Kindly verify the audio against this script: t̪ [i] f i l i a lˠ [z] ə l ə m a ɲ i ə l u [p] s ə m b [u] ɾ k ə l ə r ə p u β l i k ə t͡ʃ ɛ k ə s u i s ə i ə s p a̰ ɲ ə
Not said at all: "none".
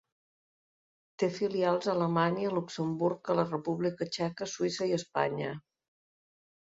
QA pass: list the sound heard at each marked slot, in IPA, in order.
e, z, k, u

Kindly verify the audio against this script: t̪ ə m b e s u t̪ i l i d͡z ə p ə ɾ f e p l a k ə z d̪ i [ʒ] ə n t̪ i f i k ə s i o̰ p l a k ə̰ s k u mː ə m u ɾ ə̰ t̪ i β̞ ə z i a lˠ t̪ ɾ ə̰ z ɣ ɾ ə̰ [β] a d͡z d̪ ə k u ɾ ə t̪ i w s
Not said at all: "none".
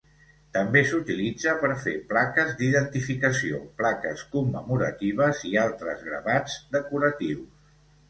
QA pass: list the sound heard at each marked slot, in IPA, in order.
ð, β

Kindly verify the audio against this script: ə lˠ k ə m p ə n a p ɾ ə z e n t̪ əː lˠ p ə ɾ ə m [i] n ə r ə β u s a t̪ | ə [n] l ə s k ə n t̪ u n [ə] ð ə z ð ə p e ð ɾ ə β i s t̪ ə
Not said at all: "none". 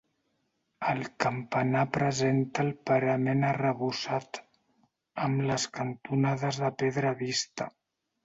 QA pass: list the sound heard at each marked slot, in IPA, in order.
e, m, a

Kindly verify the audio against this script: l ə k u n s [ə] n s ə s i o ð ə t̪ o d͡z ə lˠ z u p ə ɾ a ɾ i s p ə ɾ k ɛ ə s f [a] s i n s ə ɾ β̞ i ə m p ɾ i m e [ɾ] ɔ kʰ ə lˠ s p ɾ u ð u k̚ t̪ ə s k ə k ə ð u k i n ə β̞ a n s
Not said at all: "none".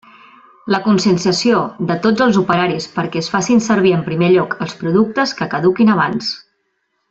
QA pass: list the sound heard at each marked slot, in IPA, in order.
ə, a, ʎ

